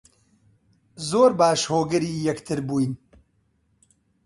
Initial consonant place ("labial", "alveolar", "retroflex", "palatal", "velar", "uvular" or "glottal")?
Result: alveolar